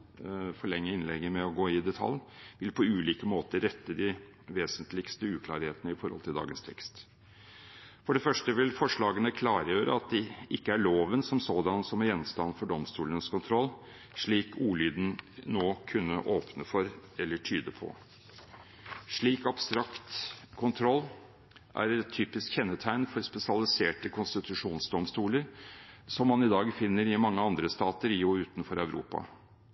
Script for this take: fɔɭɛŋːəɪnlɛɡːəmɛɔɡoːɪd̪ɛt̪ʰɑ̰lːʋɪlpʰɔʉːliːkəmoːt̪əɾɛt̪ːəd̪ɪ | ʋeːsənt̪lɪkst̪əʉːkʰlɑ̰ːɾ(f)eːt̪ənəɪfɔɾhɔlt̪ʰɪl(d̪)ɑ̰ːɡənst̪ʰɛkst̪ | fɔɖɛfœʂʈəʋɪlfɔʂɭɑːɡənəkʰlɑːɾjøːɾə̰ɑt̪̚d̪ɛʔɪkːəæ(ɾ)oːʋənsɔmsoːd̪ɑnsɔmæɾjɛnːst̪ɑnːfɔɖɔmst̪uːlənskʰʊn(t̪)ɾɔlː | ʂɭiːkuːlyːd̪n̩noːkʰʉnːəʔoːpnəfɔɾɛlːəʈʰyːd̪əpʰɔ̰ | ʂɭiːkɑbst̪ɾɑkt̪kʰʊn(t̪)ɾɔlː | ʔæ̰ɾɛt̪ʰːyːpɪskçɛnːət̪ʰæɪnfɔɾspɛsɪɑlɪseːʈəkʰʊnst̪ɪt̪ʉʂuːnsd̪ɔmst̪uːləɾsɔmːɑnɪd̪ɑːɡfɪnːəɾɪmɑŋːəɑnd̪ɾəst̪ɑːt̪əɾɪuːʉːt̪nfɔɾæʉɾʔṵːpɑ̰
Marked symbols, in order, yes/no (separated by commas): no, yes, no, no, no